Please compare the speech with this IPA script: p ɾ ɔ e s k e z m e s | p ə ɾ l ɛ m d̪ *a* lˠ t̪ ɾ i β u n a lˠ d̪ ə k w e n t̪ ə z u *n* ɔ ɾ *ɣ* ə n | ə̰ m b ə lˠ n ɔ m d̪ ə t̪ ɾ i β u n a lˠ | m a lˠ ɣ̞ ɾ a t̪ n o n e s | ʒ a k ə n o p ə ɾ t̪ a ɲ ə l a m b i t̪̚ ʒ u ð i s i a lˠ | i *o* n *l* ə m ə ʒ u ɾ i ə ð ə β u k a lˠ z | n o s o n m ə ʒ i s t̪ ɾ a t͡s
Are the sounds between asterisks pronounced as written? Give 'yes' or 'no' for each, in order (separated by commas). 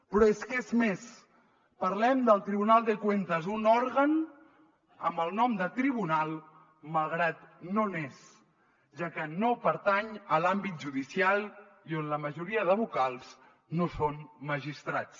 no, yes, yes, yes, yes